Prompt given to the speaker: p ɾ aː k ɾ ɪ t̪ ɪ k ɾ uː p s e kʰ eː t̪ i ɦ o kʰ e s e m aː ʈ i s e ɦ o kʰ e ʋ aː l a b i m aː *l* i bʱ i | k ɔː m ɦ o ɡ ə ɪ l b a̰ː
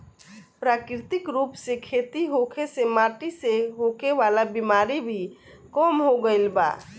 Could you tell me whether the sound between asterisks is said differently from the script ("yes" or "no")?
yes